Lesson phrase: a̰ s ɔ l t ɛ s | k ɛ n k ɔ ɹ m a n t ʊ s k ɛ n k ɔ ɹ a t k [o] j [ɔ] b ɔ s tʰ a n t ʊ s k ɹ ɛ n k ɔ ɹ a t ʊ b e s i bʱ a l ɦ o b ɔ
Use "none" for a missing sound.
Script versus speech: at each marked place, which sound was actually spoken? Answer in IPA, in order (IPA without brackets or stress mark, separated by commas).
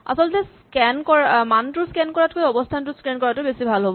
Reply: o, ɔ